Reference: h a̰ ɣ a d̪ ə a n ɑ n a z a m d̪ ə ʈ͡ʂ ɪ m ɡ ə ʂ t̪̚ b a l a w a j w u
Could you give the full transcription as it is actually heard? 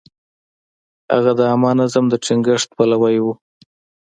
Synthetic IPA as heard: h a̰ ɣ a d̪ ə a m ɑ n a z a m d̪ ə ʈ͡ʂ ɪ ŋ ɡ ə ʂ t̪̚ p a l a w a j w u